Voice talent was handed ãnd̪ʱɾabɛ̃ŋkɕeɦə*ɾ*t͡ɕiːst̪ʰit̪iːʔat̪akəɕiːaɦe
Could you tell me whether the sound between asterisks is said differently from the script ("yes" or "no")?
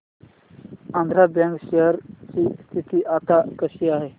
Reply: no